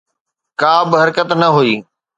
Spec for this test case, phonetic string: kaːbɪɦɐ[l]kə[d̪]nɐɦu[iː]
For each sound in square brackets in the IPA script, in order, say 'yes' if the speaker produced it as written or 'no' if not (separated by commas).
no, no, yes